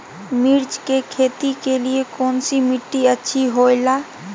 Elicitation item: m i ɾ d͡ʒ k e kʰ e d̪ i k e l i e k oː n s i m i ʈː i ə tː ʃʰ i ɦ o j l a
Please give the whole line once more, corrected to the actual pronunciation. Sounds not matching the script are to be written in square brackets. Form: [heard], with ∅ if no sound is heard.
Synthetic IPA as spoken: m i ɾ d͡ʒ k e kʰ e [t̪] i k e l i e k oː n s i m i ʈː i ə tː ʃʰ i ɦ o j l a